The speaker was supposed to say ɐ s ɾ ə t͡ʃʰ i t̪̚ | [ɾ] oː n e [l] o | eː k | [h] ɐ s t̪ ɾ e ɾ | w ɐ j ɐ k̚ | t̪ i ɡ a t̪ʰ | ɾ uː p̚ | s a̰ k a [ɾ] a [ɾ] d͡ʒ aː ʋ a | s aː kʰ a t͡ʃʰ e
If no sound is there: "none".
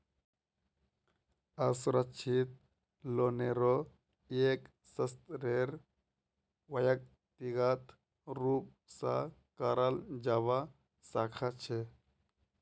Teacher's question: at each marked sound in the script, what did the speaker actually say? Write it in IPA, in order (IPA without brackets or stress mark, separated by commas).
l, ɾ, s, ɾ, l